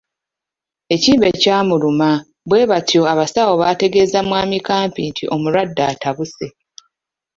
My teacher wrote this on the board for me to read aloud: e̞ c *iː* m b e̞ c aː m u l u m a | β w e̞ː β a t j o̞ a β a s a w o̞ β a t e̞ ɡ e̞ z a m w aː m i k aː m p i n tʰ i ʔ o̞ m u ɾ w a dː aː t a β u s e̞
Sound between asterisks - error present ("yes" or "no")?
no